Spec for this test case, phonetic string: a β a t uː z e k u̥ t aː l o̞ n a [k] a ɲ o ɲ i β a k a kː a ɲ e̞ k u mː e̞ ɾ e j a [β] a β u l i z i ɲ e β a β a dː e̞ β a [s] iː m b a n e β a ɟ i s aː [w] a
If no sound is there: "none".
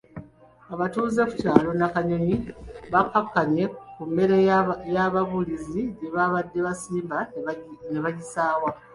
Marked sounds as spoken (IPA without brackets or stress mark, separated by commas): k, β, s, w